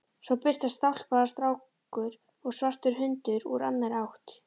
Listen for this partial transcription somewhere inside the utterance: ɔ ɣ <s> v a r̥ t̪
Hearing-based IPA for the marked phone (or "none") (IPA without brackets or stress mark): s